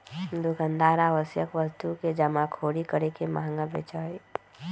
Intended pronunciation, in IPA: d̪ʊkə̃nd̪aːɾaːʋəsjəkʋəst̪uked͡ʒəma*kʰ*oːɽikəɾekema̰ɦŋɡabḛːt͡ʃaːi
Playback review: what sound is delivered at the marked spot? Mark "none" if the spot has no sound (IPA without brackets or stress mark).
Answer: kʰ